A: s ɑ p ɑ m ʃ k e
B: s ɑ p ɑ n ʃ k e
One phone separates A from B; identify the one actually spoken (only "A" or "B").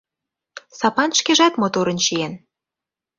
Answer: B